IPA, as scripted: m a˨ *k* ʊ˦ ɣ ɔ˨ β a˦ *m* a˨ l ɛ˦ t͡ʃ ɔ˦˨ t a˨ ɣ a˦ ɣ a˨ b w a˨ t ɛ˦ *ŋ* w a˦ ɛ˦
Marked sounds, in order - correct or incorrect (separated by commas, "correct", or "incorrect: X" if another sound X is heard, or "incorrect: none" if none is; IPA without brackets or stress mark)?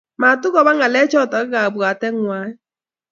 incorrect: t, incorrect: ŋ, correct